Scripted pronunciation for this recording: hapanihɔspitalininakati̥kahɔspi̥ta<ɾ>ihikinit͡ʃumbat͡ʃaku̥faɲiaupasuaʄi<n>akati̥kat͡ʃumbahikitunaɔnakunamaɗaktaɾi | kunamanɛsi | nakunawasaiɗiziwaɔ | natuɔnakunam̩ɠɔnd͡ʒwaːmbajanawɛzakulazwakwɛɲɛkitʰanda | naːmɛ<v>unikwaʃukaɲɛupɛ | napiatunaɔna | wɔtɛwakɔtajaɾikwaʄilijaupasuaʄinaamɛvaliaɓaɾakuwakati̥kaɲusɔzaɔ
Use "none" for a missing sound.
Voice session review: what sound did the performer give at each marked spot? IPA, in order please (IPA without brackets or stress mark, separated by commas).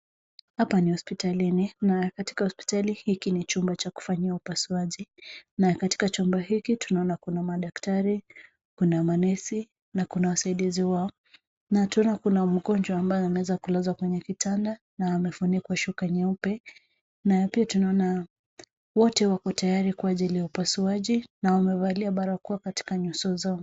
l, n, f